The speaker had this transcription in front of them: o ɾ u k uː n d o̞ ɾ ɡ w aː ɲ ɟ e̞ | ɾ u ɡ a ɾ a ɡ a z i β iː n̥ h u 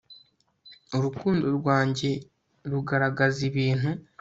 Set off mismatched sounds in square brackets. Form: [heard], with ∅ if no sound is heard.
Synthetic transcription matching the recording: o ɾ u k uː n d o̞ ɾ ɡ w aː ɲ ɟ e̞ | ɾ u ɡ a ɾ a ɡ a z i β iː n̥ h u